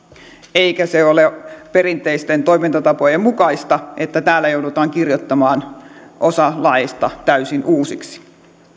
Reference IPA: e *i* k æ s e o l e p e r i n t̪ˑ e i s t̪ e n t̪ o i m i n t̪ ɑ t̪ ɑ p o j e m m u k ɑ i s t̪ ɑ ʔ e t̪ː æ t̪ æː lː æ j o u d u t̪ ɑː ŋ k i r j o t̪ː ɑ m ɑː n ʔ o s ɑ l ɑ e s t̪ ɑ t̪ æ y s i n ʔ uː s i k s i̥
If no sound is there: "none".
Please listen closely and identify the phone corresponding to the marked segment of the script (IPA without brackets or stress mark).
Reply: i